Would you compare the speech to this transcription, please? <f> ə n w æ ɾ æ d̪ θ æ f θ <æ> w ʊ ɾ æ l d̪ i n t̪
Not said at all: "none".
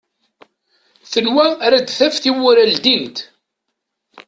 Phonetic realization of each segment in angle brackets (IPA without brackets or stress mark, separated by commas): θ, i